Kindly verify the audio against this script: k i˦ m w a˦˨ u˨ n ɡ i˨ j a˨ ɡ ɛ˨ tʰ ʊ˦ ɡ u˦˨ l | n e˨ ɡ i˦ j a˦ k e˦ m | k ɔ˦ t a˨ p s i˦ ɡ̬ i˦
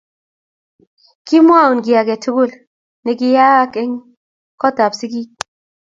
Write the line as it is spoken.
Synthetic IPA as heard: k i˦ m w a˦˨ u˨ n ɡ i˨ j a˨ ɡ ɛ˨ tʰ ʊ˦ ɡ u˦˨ l | n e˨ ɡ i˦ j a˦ k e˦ ŋ | k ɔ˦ t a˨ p s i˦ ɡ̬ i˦